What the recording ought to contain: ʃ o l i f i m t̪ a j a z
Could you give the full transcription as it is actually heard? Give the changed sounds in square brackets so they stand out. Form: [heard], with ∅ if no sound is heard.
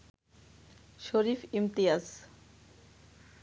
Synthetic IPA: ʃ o [ɾ] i f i m t̪ [i] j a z